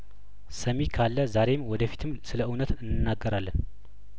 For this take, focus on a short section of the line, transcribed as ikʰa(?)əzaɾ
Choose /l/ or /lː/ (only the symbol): lː